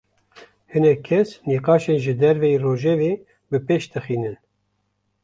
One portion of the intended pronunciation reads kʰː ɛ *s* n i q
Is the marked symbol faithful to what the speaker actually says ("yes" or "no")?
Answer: yes